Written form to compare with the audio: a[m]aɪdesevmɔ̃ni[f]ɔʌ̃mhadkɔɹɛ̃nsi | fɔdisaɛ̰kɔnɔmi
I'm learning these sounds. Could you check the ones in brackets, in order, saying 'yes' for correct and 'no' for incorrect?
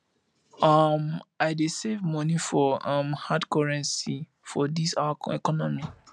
yes, yes

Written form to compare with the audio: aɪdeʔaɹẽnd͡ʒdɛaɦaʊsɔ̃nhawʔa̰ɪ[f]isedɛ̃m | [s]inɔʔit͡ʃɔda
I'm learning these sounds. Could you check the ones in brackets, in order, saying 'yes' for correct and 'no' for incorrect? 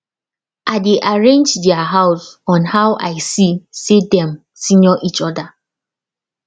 no, yes

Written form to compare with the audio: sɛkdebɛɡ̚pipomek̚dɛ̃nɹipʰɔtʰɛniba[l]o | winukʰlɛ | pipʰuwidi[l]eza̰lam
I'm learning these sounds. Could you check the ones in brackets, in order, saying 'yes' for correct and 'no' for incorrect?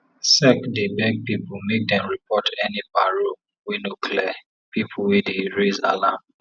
no, no

